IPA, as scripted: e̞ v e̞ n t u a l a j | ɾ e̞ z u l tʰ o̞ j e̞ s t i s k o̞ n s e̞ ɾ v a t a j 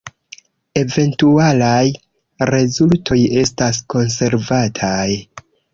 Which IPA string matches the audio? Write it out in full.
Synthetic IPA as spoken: e̞ v e̞ n t u a l a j | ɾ e̞ z u l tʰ o̞ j e̞ s t a s k o̞ n s e̞ ɾ v a tʰ a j